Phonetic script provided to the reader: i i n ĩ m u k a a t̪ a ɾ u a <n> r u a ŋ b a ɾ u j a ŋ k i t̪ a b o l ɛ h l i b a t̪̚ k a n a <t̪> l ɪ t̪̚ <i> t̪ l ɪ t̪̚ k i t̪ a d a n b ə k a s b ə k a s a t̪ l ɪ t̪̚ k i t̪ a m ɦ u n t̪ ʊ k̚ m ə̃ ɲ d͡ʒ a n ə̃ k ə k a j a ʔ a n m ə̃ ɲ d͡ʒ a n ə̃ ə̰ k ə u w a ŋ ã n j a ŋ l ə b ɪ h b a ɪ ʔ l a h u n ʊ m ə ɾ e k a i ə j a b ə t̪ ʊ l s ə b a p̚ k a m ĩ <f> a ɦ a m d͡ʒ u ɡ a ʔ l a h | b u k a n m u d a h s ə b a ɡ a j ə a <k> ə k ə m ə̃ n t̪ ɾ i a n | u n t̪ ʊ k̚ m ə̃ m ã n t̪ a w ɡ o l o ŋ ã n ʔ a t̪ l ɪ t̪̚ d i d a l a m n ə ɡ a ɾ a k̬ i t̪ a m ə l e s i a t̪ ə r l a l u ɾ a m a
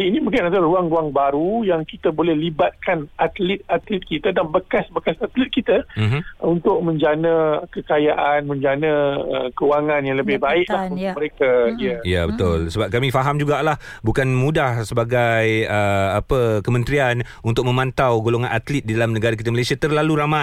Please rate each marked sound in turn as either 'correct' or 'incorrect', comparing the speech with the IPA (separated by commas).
incorrect, correct, incorrect, correct, incorrect